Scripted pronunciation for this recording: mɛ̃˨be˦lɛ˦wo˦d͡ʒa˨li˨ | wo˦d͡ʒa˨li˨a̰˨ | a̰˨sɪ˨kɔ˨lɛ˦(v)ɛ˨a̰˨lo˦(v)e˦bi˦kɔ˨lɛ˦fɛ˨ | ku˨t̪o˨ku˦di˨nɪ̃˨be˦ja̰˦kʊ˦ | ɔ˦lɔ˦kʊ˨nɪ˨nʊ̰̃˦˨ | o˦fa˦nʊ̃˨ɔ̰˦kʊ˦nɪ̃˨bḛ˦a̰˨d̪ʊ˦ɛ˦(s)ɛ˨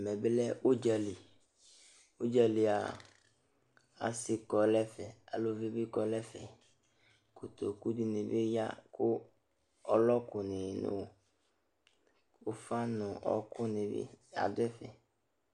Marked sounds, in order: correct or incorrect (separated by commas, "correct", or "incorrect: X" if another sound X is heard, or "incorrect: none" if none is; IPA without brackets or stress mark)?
incorrect: f, correct, incorrect: f